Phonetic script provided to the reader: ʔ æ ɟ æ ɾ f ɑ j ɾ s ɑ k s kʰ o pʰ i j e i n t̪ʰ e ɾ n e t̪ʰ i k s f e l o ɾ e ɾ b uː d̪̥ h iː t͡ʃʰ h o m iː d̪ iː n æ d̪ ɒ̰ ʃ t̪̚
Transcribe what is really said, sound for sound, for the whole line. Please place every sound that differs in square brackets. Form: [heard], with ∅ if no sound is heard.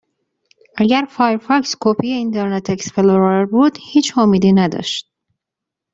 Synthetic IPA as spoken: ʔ æ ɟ æ ɾ f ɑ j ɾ [f] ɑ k s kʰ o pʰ i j e i n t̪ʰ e ɾ n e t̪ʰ [e] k s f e l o ɾ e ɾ b uː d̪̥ h iː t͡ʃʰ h o m iː d̪ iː n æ d̪ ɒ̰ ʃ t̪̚